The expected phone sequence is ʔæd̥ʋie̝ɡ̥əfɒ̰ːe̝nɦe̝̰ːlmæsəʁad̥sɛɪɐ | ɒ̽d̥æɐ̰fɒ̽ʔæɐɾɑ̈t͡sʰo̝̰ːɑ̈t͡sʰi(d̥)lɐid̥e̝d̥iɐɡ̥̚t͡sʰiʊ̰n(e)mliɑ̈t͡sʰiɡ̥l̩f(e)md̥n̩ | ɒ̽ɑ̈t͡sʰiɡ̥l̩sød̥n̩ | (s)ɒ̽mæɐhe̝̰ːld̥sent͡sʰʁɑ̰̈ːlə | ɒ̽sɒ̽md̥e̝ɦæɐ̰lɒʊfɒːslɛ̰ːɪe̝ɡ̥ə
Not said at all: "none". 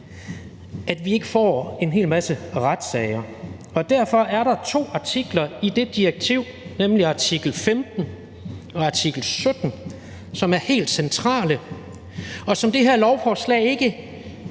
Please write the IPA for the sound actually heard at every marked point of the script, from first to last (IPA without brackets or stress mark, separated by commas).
ɡ̥, e, e, s